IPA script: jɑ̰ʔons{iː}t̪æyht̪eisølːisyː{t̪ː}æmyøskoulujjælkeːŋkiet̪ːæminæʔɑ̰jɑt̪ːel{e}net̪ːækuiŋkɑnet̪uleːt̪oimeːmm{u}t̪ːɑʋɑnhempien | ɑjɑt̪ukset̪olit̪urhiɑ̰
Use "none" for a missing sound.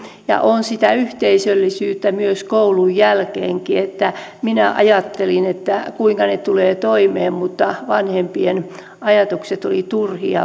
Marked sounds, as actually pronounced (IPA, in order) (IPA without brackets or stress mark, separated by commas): i, t̪ː, i, u